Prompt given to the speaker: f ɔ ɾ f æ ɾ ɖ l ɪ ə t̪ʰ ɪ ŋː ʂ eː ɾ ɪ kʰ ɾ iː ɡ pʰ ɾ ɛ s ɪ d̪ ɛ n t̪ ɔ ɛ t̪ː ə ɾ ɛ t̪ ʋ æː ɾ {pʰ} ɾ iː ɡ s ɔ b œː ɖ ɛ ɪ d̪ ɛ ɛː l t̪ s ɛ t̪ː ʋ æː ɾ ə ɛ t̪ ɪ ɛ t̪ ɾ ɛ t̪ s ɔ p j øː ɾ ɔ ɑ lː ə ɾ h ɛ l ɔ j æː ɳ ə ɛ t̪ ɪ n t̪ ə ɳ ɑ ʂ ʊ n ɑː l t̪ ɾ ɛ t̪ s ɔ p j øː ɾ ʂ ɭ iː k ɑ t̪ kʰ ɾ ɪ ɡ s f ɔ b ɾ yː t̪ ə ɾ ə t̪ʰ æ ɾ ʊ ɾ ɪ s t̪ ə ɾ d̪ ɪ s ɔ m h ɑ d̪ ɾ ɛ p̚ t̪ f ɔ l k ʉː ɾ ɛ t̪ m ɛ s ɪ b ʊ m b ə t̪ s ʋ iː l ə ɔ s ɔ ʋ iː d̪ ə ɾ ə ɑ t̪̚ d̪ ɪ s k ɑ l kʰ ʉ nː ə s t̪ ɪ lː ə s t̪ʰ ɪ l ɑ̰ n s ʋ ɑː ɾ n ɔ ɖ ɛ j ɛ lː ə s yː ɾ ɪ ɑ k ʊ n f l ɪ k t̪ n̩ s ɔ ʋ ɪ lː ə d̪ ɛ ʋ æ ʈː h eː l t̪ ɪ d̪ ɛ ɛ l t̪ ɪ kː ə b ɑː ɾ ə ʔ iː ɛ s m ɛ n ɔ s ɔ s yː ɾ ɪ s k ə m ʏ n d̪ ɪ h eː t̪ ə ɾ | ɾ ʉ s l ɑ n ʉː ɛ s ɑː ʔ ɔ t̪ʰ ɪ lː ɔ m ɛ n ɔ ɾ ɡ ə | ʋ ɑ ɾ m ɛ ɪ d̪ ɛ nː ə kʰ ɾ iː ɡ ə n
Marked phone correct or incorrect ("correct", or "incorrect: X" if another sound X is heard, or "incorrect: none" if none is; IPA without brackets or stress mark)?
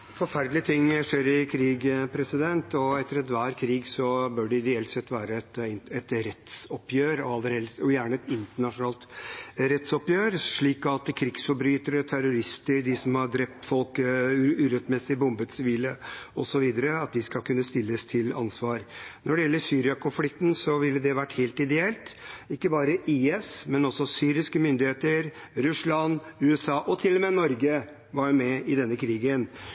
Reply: incorrect: kʰ